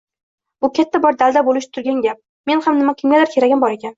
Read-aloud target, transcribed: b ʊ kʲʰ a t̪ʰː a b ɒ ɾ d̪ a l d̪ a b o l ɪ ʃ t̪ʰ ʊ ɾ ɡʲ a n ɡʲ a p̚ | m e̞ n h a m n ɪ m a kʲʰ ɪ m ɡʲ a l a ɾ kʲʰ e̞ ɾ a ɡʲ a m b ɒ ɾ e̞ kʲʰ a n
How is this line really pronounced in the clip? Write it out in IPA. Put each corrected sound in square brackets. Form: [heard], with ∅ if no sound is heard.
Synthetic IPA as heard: b ʊ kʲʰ a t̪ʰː a b ɒ ɾ d̪ a l d̪ a b o l ɪ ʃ t̪ʰ ʊ ɾ ɡʲ a n ɡʲ a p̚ | m e̞ n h a m n ɪ m a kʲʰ ɪ m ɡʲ a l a ɾ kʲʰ e̞ ɾ a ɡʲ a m b ɒ ɾ e̞ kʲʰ a n